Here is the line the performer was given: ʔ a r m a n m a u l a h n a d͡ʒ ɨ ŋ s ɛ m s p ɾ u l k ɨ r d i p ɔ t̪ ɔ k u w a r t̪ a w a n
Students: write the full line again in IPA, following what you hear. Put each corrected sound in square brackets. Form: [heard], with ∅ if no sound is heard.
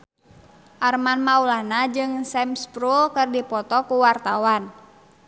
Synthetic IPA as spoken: ʔ a r m a n m a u l a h n a d͡ʒ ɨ ŋ s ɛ m s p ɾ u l k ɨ r d i p ɔ t̪ ɔ k u w a r t̪ a w a n